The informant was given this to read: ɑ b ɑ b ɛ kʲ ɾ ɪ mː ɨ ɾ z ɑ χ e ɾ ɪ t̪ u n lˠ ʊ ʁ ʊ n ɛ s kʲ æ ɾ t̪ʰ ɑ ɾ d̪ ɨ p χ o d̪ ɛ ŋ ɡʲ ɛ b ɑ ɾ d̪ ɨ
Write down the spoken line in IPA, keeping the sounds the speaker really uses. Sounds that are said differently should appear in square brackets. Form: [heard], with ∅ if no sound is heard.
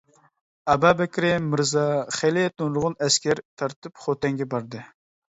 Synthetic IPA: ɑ b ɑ b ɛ kʲ ɾ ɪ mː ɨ ɾ z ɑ χ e [l] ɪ t̪ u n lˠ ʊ ʁ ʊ n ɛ s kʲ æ ɾ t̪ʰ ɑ ɾ [t̪] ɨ p χ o [t̪] ɛ ŋ ɡʲ ɛ b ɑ ɾ d̪ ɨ

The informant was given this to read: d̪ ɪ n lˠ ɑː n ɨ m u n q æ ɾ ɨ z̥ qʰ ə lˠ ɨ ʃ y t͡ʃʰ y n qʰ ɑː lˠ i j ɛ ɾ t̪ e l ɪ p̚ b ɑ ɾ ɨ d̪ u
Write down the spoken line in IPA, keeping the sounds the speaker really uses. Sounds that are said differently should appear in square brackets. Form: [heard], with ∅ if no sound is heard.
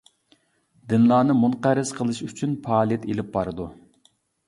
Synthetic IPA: d̪ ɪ n lˠ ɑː n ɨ m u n q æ ɾ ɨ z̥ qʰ ə lˠ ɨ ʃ y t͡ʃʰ y n [pʰ] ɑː lˠ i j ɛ [∅] t̪ e l ɪ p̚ b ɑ ɾ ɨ d̪ u

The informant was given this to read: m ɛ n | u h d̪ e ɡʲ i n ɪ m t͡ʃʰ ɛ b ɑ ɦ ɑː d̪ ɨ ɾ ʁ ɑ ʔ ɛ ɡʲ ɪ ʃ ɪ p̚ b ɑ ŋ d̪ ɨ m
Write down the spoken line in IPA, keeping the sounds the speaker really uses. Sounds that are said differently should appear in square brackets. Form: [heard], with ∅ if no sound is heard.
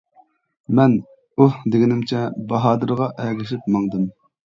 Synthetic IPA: m ɛ n | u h d̪ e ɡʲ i n ɪ m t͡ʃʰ ɛ b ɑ ɦ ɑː d̪ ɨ ɾ ʁ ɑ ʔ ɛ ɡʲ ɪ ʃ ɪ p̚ [m] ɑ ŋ d̪ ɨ m

